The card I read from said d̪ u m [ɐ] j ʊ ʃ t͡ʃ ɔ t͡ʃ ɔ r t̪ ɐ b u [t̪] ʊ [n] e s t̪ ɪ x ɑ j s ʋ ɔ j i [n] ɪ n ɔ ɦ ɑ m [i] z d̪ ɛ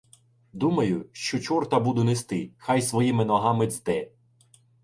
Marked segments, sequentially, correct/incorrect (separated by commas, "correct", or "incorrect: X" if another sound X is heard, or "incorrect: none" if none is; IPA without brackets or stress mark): correct, incorrect: d̪, correct, incorrect: m, incorrect: ɪ